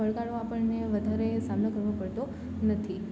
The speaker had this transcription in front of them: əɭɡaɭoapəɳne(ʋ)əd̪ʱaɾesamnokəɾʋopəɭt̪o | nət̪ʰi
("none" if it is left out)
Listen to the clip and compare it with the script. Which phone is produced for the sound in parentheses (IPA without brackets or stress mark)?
ʋ